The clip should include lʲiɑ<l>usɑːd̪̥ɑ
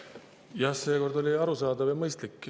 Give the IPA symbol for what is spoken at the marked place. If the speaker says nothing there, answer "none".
ɾ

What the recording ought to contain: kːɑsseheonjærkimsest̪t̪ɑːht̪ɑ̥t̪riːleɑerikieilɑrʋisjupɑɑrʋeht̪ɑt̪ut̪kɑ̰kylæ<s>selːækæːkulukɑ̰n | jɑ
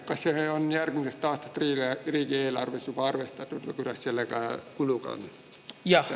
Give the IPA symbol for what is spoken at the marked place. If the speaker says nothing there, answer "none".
s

